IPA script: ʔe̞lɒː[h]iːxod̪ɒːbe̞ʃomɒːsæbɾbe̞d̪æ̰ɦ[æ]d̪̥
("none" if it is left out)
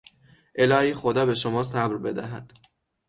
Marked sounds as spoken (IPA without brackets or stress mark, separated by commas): h, æ